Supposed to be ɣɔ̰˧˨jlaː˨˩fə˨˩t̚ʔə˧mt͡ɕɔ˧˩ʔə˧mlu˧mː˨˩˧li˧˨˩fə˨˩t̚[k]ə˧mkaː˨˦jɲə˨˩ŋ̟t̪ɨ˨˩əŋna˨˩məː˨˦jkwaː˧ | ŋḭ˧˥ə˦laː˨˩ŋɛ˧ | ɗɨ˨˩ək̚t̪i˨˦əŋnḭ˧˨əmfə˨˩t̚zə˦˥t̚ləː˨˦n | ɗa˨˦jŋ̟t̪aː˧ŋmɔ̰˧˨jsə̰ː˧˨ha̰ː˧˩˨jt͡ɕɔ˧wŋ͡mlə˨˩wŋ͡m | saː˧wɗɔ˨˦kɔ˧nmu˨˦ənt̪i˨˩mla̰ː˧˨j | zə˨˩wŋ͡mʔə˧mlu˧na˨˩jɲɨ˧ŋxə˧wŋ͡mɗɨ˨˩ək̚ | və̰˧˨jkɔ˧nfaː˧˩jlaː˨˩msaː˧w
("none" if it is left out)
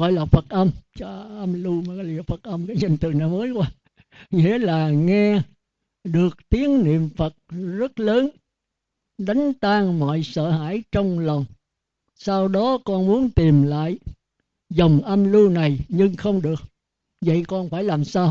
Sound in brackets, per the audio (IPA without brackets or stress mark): ʔ